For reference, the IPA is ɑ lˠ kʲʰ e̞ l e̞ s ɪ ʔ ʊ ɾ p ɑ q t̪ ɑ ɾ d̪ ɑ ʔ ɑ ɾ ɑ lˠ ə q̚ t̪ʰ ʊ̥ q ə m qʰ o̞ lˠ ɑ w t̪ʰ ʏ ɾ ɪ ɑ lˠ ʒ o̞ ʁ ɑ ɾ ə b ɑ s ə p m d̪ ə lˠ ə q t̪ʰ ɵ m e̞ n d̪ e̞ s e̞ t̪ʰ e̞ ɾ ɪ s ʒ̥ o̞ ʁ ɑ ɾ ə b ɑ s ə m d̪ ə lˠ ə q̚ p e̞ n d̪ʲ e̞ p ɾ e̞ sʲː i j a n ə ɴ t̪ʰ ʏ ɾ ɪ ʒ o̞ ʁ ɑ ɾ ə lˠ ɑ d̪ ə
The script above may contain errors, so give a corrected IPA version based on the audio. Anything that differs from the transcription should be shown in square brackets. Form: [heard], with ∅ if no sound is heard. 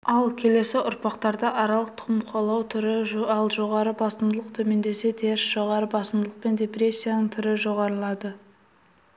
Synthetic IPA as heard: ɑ lˠ kʲʰ e̞ l e̞ s ɪ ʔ ʊ ɾ p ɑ q t̪ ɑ ɾ d̪ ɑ ʔ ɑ ɾ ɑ lˠ ə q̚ t̪ʰ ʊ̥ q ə m qʰ o̞ lˠ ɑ w t̪ʰ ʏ ɾ ɪ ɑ lˠ ʒ o̞ ʁ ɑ ɾ ə b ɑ s ə [∅] m d̪ ə lˠ ə q t̪ʰ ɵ m e̞ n d̪ e̞ s e̞ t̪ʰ e̞ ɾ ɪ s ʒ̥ o̞ ʁ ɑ ɾ ə b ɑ s ə m d̪ ə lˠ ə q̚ p e̞ n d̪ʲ e̞ p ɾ e̞ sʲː i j a n ə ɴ t̪ʰ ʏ ɾ ɪ ʒ o̞ ʁ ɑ ɾ ə lˠ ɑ d̪ ə

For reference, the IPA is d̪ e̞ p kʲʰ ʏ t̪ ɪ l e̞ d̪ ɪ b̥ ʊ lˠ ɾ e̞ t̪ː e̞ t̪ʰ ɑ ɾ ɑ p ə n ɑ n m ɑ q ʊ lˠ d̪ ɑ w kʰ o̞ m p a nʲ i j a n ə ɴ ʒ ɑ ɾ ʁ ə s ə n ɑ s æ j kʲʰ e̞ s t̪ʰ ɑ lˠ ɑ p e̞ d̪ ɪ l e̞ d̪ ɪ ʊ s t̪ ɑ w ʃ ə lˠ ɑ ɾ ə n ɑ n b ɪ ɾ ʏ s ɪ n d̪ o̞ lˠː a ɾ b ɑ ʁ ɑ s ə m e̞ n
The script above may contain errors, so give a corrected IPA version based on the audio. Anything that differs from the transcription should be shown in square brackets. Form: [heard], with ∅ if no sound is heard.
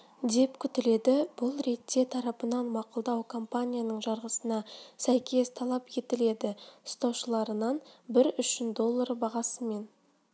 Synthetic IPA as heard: d̪ e̞ p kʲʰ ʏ t̪ ɪ l e̞ d̪ ɪ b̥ ʊ lˠ ɾ e̞ t̪ː e̞ t̪ʰ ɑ ɾ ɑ p ə n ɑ n m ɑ q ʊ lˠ d̪ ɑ w kʰ o̞ m p a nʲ i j a n ə ɴ ʒ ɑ ɾ ʁ ə s ə n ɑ s æ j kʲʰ e̞ s t̪ʰ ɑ lˠ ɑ p e̞ [t̪] ɪ l e̞ d̪ ɪ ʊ s t̪ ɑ w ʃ ə lˠ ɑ ɾ ə n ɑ n b ɪ ɾ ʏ [ʃ] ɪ n d̪ o̞ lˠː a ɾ b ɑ ʁ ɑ s ə m e̞ n

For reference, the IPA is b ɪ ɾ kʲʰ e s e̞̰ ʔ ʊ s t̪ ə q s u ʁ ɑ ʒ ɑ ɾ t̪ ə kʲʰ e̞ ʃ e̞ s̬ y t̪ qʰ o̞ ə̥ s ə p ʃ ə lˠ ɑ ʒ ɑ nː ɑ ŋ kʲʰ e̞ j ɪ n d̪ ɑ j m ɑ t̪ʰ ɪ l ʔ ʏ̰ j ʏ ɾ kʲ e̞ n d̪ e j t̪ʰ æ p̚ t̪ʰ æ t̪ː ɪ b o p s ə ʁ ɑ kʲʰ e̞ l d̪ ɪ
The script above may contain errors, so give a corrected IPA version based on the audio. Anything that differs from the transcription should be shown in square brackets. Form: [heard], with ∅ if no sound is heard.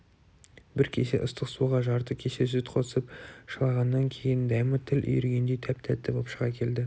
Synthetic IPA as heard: b ɪ ɾ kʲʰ e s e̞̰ ʔ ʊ s t̪ ə q s u ʁ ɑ ʒ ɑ ɾ t̪ ə kʲʰ e̞ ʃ e̞ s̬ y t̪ qʰ o̞ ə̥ s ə p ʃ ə lˠ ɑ [ʁ] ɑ nː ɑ ŋ kʲʰ e̞ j ɪ n d̪ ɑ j m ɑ t̪ʰ ɪ l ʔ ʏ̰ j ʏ ɾ [ɡʲ] e̞ n d̪ e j t̪ʰ æ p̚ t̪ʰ æ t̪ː ɪ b o p [ʃ] ə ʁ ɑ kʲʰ e̞ l d̪ ɪ

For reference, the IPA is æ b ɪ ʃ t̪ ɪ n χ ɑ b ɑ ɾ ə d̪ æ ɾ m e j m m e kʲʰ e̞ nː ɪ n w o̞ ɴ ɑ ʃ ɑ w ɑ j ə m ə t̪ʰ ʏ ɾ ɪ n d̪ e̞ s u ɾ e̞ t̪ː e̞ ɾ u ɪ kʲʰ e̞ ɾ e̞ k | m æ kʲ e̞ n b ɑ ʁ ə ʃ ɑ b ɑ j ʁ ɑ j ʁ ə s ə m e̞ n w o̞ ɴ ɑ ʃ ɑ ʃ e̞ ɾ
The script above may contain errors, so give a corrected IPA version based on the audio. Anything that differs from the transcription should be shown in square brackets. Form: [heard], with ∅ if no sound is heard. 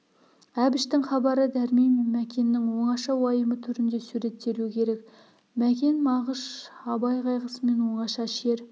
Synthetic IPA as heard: æ b ɪ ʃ t̪ ɪ [ŋ] χ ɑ b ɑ ɾ ə d̪ æ ɾ m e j m m [æ] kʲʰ e̞ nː ɪ [ŋ] w o̞ ɴ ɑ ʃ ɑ w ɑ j ə m ə t̪ʰ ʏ ɾ ɪ n d̪ e̞ s u ɾ e̞ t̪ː e̞ ɾ u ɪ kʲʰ e̞ ɾ e̞ k | m æ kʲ e̞ n [m] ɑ ʁ ə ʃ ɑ b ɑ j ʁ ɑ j ʁ ə s ə m e̞ n w o̞ ɴ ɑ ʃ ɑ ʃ e̞ ɾ

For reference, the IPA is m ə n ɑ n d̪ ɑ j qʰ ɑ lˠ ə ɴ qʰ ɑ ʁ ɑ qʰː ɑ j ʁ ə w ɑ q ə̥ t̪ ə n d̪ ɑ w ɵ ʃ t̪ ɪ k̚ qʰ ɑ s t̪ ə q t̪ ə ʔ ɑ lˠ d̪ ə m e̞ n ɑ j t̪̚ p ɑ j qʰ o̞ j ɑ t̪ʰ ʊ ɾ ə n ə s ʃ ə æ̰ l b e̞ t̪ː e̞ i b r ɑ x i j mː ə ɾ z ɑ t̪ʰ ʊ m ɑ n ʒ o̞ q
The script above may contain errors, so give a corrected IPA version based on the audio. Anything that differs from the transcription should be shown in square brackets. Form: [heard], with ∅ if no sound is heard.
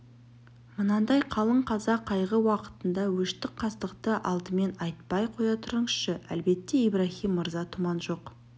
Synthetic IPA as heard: m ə n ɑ n d̪ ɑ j qʰ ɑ lˠ ə ɴ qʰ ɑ [z] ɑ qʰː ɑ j ʁ ə w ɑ q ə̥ t̪ ə n d̪ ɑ w ɵ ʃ t̪ ɪ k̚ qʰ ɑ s t̪ ə q t̪ ə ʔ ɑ lˠ d̪ ə m e̞ n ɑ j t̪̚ p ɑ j qʰ o̞ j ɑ t̪ʰ ʊ ɾ ə [ɴ] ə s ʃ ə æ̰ l b e̞ t̪ː e̞ i b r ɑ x i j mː ə ɾ z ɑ t̪ʰ ʊ m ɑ n ʒ o̞ q

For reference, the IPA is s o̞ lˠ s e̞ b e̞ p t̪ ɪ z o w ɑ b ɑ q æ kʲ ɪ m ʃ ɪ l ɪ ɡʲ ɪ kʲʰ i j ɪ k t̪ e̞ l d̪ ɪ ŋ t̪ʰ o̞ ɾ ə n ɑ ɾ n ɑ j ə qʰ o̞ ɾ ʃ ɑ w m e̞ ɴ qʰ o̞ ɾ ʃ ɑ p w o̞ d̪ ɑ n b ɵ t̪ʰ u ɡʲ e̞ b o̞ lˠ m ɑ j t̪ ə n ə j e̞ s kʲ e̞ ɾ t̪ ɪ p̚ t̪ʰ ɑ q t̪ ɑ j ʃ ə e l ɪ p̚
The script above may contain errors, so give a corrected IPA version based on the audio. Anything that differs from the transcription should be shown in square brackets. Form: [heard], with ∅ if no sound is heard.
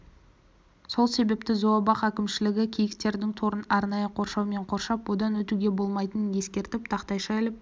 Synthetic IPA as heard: s o̞ lˠ s e̞ b e̞ p t̪ ɪ z o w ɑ b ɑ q æ kʲ ɪ m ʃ ɪ l ɪ ɡʲ ɪ kʲʰ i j ɪ k t̪ e̞ [ɾ] d̪ ɪ ŋ t̪ʰ o̞ ɾ ə n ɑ ɾ n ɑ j ə qʰ o̞ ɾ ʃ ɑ w m e̞ ɴ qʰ o̞ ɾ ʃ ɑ p w o̞ d̪ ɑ n [w] ɵ [t̪] u ɡʲ e̞ b o̞ lˠ m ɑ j t̪ ə n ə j e̞ s kʲ e̞ ɾ t̪ ɪ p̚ t̪ʰ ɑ q t̪ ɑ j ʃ [ɑ] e l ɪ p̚

